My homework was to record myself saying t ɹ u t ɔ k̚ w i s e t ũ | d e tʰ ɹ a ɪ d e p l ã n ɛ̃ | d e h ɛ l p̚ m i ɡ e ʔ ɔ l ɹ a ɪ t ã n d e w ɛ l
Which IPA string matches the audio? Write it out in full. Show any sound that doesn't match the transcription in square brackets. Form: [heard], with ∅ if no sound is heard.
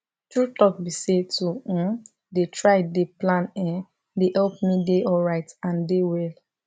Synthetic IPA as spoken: t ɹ u t ɔ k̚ [b] i s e t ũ | d e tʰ ɹ a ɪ d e p l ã n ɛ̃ | d e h ɛ l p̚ m i [d] e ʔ ɔ l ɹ a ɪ t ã n d e w ɛ l